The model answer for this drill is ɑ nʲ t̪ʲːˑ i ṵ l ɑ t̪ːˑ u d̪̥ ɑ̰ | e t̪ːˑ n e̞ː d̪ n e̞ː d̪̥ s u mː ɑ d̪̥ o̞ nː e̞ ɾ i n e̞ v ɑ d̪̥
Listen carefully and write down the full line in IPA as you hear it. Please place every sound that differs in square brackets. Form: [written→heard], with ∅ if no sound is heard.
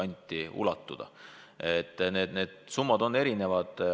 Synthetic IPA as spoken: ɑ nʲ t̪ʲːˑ i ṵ l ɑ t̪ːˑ u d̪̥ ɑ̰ | e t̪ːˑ n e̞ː d̪ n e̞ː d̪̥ s u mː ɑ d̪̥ o̞ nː e̞ ɾ i n e̞ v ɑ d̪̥